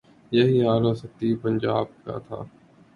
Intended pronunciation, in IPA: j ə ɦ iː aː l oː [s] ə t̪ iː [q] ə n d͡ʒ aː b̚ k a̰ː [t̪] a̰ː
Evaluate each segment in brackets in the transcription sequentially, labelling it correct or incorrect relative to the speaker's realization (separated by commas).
correct, incorrect, incorrect